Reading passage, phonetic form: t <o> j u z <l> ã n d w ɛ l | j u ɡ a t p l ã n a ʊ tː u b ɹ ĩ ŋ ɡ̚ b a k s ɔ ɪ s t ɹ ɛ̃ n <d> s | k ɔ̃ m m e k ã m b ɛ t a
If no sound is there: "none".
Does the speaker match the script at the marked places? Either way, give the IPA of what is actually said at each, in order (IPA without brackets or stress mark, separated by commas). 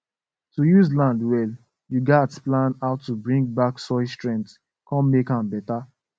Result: u, l, t